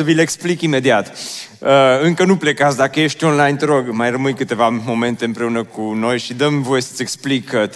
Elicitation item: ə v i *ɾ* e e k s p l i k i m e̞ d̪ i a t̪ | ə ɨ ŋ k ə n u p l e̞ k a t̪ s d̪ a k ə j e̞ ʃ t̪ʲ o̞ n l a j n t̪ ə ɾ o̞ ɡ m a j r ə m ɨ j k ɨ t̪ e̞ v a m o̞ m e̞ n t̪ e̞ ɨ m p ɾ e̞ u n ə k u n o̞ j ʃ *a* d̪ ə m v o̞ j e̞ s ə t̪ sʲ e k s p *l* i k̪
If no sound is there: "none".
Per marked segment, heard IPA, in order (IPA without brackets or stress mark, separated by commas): l, i, l